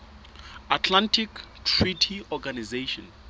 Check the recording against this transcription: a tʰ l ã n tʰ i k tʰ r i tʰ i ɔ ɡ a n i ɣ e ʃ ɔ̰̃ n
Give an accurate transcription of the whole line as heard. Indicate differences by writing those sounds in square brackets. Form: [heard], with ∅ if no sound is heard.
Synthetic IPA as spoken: a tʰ l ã n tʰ i k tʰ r i tʰ i ɔ ɡ a n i [z] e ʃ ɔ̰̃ n